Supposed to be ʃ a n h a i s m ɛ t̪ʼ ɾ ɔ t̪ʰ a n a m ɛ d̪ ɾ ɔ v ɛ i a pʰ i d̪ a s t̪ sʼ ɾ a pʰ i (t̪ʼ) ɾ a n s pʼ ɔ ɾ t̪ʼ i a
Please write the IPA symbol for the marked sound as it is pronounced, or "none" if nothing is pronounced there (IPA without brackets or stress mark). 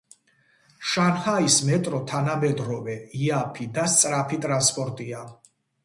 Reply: t̪ʼ